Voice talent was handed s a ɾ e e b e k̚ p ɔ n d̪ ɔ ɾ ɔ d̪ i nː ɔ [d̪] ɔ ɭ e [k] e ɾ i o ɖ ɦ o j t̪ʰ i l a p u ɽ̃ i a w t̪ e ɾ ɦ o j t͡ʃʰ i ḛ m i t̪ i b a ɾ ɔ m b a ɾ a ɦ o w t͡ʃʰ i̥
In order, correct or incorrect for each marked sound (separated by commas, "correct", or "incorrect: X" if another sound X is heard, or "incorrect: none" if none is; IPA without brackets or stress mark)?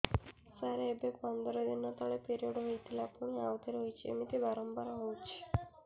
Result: incorrect: t̪, incorrect: p